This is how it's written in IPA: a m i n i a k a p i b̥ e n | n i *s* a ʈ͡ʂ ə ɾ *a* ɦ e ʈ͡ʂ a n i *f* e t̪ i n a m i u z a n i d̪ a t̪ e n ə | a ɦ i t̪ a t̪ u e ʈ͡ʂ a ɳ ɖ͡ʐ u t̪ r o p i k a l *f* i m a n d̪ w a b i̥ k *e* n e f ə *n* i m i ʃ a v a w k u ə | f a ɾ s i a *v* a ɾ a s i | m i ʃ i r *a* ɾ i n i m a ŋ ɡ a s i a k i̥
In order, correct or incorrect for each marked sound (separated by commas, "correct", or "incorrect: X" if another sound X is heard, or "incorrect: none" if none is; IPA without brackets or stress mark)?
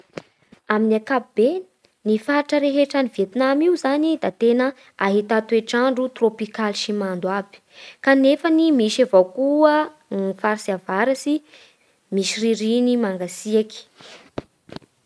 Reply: incorrect: f, incorrect: e, incorrect: v, incorrect: ʃ, incorrect: a, correct, correct, incorrect: i